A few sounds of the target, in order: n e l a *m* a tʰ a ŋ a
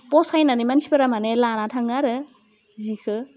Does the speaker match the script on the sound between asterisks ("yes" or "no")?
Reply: no